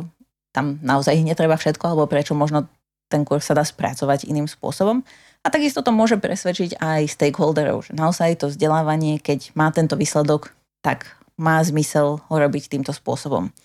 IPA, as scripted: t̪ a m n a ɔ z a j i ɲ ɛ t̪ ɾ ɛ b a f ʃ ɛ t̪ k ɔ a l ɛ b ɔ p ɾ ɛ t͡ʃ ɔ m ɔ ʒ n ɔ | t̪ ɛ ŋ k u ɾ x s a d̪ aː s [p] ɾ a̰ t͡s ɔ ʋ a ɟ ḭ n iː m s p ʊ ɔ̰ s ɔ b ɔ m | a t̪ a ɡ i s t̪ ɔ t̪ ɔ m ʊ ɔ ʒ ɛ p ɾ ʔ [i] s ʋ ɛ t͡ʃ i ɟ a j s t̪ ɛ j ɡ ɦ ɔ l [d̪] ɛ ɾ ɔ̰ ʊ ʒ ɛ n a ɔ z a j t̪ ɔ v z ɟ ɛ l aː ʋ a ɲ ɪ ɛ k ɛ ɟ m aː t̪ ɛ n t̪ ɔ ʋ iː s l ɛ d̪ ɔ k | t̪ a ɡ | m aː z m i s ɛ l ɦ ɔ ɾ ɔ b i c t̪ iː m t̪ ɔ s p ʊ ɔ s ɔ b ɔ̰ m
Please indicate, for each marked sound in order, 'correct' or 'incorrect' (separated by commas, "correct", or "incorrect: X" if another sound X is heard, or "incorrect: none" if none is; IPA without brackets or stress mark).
correct, incorrect: ɛ, correct